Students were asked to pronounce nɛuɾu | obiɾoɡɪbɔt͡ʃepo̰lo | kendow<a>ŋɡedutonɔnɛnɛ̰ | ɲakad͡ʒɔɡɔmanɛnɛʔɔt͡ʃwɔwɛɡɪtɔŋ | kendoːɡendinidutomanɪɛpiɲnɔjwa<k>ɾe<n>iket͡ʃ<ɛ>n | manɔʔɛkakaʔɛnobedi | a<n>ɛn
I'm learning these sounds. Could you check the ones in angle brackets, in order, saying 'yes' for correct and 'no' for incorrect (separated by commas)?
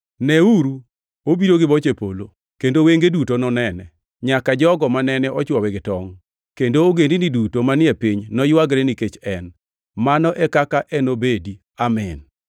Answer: no, no, yes, yes, no